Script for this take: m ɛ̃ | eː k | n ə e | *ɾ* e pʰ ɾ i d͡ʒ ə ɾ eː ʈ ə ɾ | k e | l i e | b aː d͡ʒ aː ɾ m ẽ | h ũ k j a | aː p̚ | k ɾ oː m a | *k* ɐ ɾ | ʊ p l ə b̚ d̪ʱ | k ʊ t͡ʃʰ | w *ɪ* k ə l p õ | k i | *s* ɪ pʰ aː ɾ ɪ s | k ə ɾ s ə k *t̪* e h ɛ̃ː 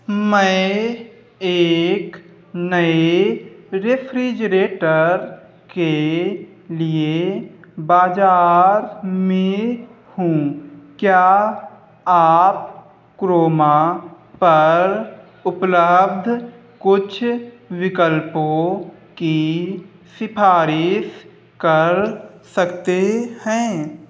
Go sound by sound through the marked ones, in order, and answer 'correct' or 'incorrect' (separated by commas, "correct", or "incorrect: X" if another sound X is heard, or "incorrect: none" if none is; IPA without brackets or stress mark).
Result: correct, incorrect: p, correct, correct, correct